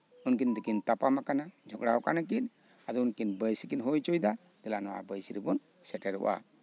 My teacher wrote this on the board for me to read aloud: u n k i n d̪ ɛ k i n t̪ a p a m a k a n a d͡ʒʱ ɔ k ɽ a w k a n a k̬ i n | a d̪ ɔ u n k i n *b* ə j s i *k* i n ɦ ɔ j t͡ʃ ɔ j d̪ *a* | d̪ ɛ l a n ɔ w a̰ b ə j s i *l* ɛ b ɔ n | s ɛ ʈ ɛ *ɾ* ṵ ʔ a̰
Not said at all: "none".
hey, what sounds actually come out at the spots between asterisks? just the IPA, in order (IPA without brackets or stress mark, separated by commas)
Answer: b, k, a, ɾ, ɾ